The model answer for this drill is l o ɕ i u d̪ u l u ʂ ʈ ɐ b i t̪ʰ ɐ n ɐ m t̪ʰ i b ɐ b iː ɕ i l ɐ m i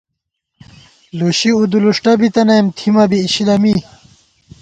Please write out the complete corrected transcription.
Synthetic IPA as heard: l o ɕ i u d̪ u l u ʂ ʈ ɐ b i t̪ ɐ n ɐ m t̪ʰ i m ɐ b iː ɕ i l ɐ m i